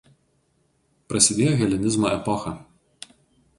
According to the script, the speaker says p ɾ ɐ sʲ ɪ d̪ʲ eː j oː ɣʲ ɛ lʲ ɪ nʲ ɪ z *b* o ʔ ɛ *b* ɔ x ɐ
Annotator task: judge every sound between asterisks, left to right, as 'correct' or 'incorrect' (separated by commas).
incorrect, incorrect